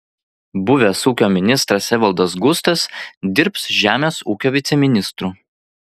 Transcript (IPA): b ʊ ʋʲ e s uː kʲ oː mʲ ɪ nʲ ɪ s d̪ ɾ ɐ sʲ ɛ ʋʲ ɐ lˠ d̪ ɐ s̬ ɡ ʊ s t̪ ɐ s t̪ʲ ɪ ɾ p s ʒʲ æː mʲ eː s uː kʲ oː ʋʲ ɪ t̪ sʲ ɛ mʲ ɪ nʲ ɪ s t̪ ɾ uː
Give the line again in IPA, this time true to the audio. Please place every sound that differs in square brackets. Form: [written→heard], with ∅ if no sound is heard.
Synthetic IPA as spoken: b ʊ ʋʲ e s uː kʲ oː mʲ ɪ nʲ ɪ s [d̪→t̪] ɾ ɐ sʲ ɛ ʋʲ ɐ lˠ d̪ ɐ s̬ ɡ ʊ s t̪ ɐ s [t̪ʲ→d̪ʲ] ɪ ɾ p s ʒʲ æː mʲ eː s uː kʲ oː ʋʲ ɪ t̪ sʲ ɛ mʲ ɪ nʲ ɪ s t̪ ɾ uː